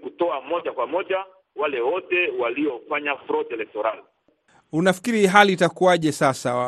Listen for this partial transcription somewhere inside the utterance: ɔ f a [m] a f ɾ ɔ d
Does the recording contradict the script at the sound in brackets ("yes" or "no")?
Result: yes